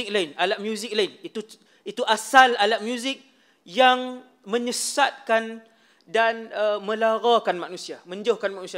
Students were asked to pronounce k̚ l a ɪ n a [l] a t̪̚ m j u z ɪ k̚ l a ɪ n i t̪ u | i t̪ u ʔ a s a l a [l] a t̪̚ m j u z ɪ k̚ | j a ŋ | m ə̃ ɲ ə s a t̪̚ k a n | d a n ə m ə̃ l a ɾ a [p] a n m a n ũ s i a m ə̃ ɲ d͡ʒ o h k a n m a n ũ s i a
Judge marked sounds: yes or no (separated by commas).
yes, yes, no